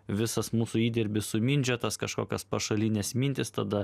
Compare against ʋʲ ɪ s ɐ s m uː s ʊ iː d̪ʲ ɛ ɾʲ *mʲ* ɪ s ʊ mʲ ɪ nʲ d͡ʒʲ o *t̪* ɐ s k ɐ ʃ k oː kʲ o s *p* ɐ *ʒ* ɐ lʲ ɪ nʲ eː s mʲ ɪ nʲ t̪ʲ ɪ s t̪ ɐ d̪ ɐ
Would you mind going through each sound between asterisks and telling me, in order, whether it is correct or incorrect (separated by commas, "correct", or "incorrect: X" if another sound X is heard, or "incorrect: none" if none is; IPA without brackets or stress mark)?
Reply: incorrect: bʲ, correct, correct, incorrect: ʃ